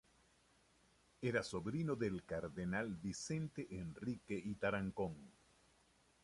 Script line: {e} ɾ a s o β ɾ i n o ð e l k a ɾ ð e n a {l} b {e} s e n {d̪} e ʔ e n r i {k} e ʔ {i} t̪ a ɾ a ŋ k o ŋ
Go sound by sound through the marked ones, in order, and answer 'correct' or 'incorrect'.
correct, correct, incorrect, incorrect, correct, correct

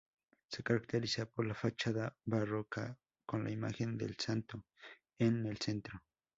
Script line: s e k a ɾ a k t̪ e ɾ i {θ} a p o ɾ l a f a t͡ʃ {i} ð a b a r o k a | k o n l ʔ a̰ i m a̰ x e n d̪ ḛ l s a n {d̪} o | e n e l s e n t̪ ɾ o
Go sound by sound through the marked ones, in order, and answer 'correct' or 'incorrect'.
incorrect, incorrect, incorrect

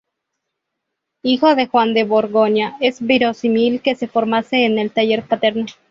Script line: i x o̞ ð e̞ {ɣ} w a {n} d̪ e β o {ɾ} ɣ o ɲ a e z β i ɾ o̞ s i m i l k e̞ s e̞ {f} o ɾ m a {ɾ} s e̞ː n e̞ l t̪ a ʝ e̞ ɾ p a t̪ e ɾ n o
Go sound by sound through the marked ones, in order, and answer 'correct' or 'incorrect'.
incorrect, correct, correct, correct, incorrect

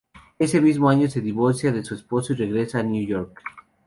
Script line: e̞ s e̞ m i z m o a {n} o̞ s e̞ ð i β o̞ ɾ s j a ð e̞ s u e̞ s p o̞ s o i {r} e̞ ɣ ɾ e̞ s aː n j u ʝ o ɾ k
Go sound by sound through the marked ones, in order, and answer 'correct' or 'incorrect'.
incorrect, correct

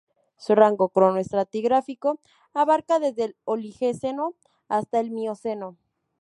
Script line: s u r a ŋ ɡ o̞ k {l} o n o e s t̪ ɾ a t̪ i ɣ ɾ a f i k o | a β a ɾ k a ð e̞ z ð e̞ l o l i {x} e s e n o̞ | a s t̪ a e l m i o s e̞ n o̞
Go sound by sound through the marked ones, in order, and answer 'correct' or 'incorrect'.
incorrect, correct

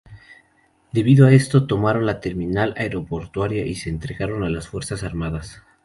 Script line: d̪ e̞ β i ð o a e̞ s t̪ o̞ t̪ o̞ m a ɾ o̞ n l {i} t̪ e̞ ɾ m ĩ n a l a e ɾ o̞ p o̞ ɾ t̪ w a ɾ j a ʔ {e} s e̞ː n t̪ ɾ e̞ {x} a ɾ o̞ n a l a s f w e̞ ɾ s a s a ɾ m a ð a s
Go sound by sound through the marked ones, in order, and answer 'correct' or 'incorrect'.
incorrect, incorrect, incorrect

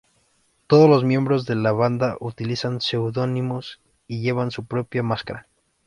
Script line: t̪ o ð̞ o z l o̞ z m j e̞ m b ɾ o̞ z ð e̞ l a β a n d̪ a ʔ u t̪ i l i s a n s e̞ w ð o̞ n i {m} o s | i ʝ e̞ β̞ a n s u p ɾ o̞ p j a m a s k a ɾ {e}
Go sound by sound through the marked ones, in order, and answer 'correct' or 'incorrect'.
correct, incorrect

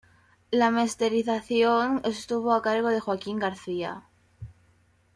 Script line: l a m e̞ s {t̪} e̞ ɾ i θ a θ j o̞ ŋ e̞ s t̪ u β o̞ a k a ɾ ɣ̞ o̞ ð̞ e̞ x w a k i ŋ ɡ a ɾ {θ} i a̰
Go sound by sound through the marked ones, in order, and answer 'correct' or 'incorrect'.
correct, correct

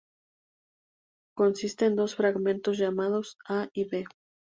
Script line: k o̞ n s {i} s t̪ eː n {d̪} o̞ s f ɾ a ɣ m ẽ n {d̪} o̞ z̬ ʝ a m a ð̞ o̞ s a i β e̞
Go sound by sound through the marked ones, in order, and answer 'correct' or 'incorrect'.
correct, correct, incorrect

